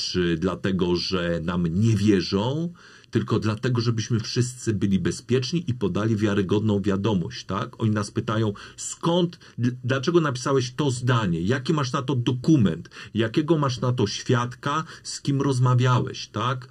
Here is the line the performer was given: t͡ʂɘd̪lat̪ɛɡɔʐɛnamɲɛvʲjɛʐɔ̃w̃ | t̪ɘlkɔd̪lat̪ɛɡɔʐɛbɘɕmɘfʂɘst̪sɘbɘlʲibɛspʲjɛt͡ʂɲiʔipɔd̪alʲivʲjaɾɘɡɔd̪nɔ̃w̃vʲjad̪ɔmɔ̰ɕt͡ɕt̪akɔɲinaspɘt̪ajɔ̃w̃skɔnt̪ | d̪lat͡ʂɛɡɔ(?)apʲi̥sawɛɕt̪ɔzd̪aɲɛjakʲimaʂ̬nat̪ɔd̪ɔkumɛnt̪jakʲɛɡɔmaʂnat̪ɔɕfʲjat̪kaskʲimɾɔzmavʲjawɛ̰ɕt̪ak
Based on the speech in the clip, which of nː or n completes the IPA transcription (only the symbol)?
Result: n